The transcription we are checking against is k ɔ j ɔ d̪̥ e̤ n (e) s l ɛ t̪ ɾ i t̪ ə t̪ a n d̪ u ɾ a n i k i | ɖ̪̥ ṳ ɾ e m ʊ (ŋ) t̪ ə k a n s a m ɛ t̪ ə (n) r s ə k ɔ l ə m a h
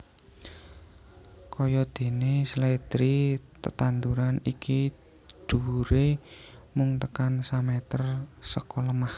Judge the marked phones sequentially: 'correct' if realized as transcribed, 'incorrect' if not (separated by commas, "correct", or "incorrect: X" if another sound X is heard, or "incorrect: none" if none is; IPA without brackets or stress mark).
correct, correct, incorrect: none